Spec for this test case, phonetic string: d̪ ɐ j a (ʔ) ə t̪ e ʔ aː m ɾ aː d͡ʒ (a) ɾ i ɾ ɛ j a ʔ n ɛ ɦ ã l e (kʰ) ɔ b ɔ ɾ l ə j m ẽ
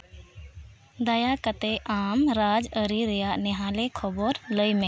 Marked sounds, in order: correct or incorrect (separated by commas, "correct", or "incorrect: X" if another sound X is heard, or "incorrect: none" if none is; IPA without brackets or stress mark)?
incorrect: k, incorrect: ə, correct